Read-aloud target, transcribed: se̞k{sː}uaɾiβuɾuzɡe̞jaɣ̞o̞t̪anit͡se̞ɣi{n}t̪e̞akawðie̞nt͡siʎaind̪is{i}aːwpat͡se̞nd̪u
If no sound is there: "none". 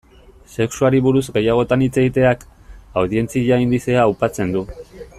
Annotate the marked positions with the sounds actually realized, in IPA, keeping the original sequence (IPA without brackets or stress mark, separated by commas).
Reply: s, none, e